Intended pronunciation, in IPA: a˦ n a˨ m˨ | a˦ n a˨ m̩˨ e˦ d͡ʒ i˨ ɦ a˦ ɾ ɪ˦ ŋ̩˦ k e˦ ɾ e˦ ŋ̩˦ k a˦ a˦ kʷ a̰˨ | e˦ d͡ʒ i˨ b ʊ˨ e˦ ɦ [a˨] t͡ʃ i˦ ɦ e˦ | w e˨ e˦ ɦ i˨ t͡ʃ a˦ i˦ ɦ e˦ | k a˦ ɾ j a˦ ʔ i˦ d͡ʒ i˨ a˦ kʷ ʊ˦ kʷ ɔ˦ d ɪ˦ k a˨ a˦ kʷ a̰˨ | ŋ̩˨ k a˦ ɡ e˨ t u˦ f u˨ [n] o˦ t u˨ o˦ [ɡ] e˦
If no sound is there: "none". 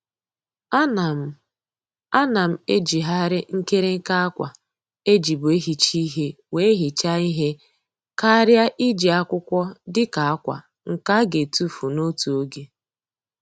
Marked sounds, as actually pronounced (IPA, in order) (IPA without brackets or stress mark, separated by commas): i˨, n, ɡ